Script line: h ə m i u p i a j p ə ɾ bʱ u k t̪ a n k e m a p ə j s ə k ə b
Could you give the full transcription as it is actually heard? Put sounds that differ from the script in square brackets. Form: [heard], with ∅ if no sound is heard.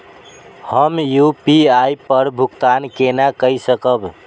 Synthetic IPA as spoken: h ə m [j] u p i a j p ə ɾ bʱ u k t̪ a n k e [n] a [k] ə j s ə k ə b